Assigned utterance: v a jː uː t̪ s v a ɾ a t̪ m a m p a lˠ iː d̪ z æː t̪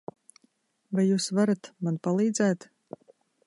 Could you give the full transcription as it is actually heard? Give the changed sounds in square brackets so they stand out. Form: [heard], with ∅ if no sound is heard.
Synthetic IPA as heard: v a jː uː [∅] s v a ɾ a t̪ m a [n] p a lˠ iː d̪ z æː t̪